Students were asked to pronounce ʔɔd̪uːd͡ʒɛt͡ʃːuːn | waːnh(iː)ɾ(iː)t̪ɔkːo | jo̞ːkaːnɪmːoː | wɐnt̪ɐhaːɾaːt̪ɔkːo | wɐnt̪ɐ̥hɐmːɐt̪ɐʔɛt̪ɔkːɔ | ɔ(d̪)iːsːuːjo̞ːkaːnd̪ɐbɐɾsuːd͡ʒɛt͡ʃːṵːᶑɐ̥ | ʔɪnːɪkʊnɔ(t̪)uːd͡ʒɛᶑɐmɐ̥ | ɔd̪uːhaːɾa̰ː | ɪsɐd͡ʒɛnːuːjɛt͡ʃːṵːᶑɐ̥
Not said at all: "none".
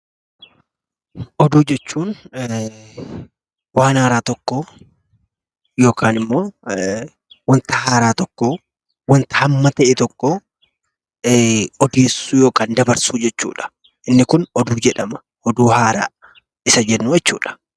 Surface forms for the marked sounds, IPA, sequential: aː, aː, d̪, d̪

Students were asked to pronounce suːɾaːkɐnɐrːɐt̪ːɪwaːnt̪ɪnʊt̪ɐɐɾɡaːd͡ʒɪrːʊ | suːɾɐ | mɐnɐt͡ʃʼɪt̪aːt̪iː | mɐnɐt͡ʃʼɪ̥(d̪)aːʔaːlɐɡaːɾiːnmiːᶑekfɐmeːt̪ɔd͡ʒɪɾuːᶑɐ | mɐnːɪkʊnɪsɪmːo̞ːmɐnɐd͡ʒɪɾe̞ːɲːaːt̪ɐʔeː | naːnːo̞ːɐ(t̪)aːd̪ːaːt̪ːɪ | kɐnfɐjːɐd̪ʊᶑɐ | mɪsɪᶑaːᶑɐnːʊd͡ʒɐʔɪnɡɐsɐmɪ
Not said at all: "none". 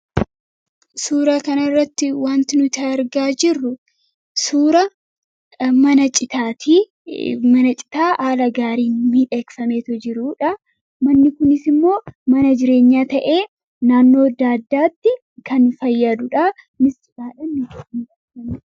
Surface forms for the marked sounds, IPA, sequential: t̪, d̪

